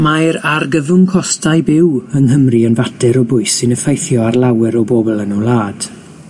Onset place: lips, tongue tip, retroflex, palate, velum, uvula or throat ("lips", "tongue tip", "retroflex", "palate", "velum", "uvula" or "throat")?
lips